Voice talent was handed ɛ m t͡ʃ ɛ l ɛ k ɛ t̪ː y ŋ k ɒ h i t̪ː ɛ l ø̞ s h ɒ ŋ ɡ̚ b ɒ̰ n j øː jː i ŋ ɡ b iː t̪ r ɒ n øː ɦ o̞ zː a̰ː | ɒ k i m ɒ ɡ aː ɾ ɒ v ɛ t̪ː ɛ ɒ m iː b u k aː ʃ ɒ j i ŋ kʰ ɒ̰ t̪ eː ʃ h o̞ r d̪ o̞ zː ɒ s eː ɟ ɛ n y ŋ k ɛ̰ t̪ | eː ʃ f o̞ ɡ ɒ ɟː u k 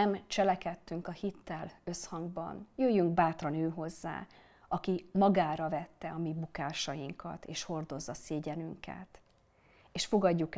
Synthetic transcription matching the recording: ɛ m t͡ʃ ɛ l ɛ k ɛ t̪ː y ŋ k ɒ h i t̪ː ɛ l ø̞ s h ɒ ŋ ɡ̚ b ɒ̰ n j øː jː y ŋ ɡ b aː t̪ r ɒ n øː ɦ o̞ zː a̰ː | ɒ k i m ɒ ɡ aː ɾ ɒ v ɛ t̪ː ɛ ɒ m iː b u k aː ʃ ɒ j i ŋ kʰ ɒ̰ t̪ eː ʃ h o̞ r d̪ o̞ zː ɒ s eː ɟ ɛ n y ŋ k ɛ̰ t̪ | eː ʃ f o̞ ɡ ɒ ɟː u k